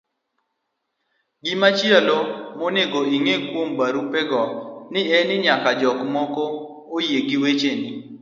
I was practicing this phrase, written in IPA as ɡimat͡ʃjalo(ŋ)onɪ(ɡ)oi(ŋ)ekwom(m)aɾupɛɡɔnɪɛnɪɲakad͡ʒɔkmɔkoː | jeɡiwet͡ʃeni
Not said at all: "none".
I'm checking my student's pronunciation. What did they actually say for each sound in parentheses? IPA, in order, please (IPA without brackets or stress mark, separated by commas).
m, ɡ, ŋ, b